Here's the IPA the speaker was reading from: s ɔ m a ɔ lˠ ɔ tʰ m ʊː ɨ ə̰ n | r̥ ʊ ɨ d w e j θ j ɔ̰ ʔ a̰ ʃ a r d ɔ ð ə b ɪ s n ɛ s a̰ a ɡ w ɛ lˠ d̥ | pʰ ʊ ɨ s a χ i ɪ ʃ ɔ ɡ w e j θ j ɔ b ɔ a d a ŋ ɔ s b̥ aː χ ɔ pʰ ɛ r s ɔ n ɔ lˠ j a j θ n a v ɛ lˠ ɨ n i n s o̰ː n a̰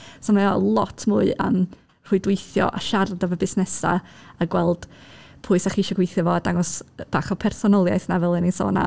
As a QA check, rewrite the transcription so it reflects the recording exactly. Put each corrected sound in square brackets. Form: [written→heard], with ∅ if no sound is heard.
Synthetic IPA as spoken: s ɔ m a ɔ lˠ ɔ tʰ m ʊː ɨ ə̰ [n→m] | r̥ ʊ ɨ d w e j θ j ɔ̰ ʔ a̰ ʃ a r d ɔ [ð→v] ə b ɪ s n ɛ s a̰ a ɡ w ɛ lˠ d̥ | pʰ ʊ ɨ s a χ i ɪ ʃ ɔ ɡ w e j θ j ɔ [b→v] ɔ a d a ŋ ɔ s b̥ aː χ ɔ pʰ ɛ r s ɔ n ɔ lˠ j a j θ n a v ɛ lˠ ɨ n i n s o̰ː n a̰